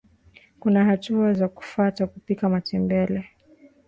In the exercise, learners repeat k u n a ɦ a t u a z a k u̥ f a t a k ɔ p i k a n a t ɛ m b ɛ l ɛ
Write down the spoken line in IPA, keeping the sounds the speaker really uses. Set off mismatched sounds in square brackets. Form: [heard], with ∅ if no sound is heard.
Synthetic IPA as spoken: k u n a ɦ a t u a z a k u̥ f a t a k [u] p i k a [m] a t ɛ m b ɛ l ɛ